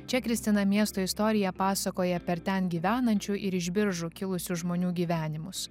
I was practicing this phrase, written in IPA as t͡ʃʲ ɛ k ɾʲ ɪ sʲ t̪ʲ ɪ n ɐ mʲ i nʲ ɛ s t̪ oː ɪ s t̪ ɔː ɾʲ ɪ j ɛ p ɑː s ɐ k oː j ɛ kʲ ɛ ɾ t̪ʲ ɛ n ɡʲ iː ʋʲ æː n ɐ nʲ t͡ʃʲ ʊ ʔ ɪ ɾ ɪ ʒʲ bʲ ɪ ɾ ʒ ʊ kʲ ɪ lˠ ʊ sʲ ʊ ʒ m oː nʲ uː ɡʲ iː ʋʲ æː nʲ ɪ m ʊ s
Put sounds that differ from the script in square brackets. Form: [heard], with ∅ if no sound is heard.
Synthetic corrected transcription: t͡ʃʲ ɛ k ɾʲ ɪ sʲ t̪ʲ ɪ n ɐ mʲ i [∅] ɛ s t̪ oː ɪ s t̪ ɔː ɾʲ ɪ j ɛ p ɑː s ɐ k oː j ɛ [pʲ] ɛ ɾ t̪ʲ ɛ n ɡʲ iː ʋʲ æː n ɐ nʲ t͡ʃʲ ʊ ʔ ɪ ɾ ɪ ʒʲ bʲ ɪ ɾ ʒ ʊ kʲ ɪ lˠ ʊ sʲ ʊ ʒ m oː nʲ uː ɡʲ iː ʋʲ æː nʲ ɪ m ʊ s